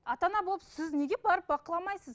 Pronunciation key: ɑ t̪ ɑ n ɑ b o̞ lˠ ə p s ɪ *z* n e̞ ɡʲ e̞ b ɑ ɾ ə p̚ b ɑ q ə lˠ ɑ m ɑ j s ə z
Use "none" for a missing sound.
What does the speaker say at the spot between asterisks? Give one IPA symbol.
z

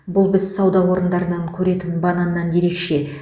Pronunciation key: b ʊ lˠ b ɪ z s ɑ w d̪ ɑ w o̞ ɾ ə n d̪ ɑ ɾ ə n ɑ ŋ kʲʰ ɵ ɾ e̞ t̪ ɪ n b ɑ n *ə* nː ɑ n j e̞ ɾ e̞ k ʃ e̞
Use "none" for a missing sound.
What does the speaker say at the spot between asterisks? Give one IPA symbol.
ɑ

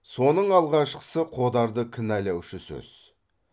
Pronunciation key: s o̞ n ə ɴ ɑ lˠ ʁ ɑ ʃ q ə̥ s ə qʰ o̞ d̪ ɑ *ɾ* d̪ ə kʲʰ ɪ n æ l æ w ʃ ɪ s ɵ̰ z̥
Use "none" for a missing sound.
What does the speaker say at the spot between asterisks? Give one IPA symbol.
ɾ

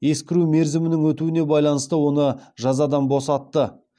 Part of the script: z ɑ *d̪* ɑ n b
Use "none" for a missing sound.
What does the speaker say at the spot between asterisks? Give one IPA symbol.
d̪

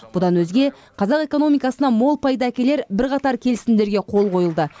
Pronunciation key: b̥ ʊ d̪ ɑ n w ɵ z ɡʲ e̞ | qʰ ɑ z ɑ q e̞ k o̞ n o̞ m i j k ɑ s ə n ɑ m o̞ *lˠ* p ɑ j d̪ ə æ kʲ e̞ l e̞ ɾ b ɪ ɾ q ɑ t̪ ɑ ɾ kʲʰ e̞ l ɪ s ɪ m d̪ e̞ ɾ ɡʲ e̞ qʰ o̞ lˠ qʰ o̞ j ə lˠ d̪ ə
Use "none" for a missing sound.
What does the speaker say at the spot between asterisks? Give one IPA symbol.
lˠ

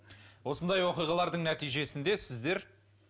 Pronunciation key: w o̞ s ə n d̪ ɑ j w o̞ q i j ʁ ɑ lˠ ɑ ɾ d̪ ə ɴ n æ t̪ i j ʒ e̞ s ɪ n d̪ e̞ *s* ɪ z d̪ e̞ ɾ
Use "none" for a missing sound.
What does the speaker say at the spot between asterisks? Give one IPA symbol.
s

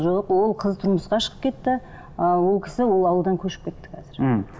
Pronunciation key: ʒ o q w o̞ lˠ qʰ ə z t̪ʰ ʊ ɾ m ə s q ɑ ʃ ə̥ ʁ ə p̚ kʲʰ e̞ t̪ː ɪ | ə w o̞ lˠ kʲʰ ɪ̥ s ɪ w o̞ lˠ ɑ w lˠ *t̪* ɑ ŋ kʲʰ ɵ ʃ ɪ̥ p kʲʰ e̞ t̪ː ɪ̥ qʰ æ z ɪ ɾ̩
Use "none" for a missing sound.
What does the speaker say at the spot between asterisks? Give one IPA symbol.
d̪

